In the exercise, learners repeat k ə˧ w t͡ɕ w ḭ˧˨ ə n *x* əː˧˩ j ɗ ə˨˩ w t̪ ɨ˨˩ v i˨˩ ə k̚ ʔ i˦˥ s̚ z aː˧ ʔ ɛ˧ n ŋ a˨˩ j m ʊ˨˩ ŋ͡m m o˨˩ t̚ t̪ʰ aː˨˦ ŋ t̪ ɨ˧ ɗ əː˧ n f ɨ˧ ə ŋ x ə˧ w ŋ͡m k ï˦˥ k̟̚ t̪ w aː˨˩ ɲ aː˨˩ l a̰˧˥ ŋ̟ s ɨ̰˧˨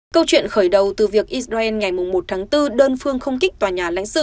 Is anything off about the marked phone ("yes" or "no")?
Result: no